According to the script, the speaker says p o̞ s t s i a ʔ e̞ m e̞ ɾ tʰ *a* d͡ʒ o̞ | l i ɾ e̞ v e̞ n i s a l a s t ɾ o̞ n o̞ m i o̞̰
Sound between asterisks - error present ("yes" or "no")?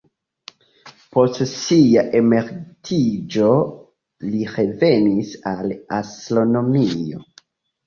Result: yes